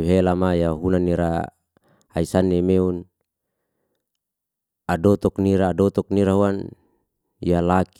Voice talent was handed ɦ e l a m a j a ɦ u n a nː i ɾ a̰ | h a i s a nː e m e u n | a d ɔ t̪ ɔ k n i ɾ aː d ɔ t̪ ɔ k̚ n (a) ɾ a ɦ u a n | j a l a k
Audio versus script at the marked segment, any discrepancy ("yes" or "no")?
yes